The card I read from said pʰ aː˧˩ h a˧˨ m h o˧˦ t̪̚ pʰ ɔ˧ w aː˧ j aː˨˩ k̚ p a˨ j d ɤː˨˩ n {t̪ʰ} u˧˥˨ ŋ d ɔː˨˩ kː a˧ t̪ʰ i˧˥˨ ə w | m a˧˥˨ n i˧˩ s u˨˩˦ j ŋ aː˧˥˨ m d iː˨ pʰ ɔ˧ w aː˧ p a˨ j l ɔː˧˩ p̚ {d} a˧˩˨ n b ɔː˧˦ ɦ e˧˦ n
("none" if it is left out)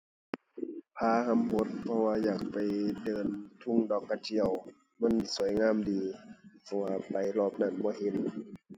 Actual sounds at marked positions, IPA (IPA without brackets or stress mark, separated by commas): t̪ʰ, n